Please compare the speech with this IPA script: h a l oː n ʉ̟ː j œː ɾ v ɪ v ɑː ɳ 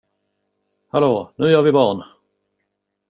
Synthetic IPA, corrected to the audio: h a l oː n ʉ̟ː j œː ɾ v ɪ b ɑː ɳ